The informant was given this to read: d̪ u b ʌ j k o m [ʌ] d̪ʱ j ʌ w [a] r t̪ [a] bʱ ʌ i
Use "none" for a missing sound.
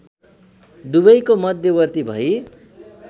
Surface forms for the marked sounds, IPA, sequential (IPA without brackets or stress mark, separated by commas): ʌ, ʌ, i